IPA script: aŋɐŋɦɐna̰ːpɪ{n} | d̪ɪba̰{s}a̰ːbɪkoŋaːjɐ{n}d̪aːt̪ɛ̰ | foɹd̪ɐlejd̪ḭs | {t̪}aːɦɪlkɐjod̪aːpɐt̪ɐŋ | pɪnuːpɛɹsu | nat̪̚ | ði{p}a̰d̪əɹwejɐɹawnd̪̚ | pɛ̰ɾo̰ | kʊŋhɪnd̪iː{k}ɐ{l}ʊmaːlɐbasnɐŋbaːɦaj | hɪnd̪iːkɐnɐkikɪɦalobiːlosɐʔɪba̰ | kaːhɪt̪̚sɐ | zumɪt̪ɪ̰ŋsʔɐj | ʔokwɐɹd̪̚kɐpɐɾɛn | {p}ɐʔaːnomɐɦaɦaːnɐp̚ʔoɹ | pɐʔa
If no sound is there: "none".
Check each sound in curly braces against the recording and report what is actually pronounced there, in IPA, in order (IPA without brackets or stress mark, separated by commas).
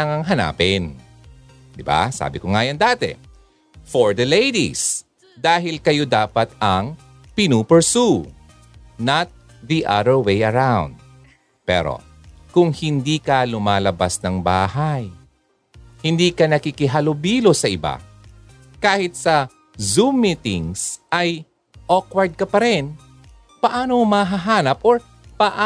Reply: n, s, n, d̪, ʔ, k, l, p